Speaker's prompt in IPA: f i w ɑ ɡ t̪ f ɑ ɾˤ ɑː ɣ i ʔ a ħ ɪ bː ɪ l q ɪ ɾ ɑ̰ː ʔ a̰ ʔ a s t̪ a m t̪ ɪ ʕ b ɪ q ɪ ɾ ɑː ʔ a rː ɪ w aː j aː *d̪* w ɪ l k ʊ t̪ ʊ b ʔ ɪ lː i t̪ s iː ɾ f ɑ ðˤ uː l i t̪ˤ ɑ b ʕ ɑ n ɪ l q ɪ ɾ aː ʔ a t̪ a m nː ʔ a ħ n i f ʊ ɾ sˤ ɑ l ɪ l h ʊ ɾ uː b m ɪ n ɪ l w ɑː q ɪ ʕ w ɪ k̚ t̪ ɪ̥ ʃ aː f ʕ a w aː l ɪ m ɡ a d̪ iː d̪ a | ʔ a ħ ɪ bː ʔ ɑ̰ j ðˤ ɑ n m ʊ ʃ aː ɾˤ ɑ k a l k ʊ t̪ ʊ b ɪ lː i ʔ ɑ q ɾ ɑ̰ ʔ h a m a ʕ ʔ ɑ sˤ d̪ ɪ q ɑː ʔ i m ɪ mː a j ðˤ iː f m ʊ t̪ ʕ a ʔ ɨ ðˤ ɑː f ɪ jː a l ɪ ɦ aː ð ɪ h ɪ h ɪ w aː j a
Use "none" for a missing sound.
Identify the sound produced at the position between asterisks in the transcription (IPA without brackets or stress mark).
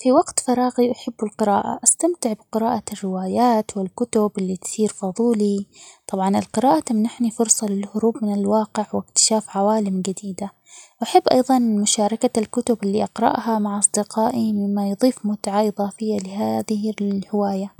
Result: t̪